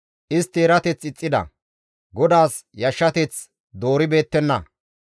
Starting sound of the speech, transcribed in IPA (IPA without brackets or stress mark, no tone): ʔ